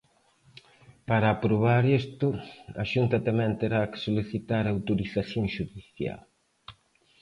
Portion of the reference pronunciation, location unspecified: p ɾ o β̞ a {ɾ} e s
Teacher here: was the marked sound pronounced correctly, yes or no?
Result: yes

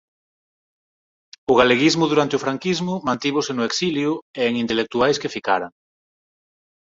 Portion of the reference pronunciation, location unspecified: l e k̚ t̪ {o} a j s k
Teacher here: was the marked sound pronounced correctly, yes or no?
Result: no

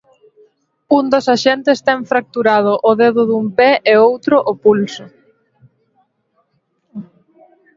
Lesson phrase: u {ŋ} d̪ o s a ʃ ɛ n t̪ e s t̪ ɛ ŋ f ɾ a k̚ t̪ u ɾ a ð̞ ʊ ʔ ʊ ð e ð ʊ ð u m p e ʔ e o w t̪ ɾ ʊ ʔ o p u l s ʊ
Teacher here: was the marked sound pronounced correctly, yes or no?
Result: no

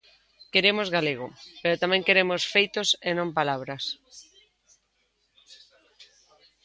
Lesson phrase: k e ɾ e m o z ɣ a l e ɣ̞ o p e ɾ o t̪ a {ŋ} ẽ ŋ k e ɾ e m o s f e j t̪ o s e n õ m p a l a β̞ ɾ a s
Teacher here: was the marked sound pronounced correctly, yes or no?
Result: no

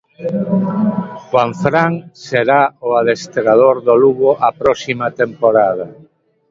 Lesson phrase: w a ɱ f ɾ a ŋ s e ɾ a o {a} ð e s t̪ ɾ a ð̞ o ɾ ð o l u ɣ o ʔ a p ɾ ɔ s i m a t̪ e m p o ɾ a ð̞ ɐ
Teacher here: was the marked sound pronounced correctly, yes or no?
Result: yes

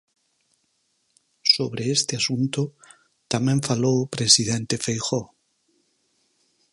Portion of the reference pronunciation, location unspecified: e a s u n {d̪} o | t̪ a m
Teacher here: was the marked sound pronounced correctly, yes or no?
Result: no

